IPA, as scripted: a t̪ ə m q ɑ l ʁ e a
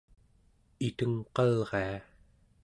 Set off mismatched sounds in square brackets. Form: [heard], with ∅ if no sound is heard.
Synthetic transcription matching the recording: [i] t̪ ə [ŋ] q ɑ l ʁ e a